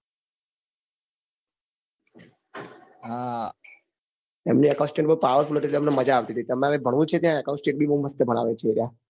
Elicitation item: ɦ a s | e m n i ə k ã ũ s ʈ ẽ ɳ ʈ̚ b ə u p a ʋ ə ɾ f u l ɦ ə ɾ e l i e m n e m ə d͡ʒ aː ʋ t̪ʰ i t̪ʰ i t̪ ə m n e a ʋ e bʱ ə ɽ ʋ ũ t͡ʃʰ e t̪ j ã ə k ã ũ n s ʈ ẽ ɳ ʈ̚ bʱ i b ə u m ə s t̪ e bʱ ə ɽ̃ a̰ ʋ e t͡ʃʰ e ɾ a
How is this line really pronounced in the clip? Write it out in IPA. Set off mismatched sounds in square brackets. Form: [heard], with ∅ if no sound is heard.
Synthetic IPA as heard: ɦ a [∅] | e m n i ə k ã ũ s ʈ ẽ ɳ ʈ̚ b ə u p a ʋ ə ɾ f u l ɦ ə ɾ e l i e m n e m ə d͡ʒ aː ʋ [t̪] i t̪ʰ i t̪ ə m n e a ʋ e bʱ ə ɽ ʋ ũ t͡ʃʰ e t̪ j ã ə k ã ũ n s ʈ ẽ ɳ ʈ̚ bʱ i b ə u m ə s t̪ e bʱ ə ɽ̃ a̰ ʋ e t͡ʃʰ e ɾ a

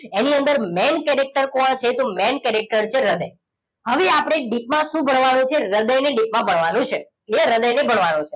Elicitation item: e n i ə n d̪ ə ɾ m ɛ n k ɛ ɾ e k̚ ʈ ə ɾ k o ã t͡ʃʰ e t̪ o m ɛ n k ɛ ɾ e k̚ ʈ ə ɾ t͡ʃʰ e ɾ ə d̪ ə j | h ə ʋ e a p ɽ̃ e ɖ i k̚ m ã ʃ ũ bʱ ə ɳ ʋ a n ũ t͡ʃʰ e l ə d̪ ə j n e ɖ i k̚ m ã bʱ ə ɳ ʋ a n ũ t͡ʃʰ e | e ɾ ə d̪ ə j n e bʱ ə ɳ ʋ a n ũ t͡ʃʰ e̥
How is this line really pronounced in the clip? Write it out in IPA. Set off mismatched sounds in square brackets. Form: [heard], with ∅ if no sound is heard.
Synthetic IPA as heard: e n i ə n d̪ ə ɾ m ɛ n k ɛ ɾ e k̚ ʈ ə ɾ k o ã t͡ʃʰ e t̪ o m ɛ n k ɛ ɾ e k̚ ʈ ə ɾ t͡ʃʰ e ɾ ə d̪ ə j | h ə ʋ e a p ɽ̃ e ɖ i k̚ m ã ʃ ũ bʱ ə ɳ ʋ a n ũ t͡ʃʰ e [ɾ] ə d̪ ə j n e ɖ i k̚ m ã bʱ ə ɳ ʋ a n ũ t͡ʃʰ e | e ɾ ə d̪ ə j n e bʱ ə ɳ ʋ a n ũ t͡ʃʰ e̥

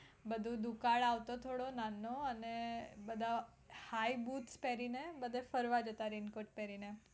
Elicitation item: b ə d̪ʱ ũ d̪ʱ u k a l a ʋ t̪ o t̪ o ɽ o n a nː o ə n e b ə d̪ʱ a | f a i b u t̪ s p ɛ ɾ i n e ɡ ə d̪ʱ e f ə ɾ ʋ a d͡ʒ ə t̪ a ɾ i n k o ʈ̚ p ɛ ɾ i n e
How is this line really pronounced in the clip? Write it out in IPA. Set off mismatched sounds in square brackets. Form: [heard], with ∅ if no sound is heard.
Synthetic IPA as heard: b ə d̪ʱ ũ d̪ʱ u k a [ɭ] a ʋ t̪ o [t̪ʰ] o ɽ o n a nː o ə n e b ə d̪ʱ a | [h] a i b u t̪ s p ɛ ɾ i n e [b] ə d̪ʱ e f ə ɾ ʋ a d͡ʒ ə t̪ a ɾ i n k o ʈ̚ p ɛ ɾ i n e

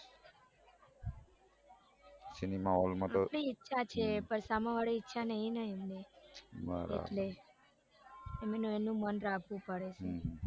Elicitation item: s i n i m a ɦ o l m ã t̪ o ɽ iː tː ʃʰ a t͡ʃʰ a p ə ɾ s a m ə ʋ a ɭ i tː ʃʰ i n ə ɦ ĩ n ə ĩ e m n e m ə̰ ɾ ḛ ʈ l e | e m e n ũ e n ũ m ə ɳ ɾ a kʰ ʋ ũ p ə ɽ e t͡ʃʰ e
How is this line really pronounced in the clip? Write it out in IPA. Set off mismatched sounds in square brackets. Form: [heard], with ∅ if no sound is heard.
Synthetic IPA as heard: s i n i m a ɦ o l m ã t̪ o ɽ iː tː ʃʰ a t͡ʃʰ [e] p ə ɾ s a m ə ʋ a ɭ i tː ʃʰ [a] n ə ɦ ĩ n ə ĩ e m n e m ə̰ ɾ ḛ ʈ l e | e m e n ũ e n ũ m ə [n] ɾ a kʰ ʋ ũ p ə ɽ e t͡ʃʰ e

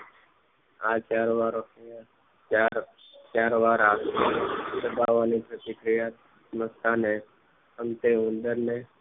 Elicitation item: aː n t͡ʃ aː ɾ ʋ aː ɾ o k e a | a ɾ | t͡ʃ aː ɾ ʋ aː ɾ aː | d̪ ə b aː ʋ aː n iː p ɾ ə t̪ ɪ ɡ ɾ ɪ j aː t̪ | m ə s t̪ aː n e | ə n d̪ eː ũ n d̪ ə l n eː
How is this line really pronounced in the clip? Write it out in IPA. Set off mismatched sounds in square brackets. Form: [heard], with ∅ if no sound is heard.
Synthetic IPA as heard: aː [∅] t͡ʃ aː ɾ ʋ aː ɾ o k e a | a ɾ | t͡ʃ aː ɾ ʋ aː ɾ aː | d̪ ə b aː ʋ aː n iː p ɾ ə t̪ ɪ [k] ɾ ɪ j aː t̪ | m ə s t̪ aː n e | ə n [t̪] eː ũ n d̪ ə [ɾ] n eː

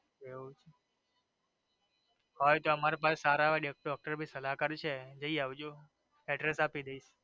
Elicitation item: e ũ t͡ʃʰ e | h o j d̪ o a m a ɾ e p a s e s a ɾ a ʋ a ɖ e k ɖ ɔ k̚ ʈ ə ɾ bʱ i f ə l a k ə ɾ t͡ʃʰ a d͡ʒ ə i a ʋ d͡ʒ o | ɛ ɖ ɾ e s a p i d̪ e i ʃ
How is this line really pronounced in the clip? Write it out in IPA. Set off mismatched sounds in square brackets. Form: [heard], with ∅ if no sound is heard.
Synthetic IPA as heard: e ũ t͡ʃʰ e | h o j [t̪] o [ə] m a ɾ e p a s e s a ɾ a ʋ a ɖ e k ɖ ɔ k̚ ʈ ə ɾ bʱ i [s] ə l a k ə ɾ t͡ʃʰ [e] d͡ʒ ə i a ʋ d͡ʒ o | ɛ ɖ ɾ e s a p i d̪ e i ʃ

